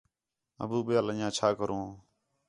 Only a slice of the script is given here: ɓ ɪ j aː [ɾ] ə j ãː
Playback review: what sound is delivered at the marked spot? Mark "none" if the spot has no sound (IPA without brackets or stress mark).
l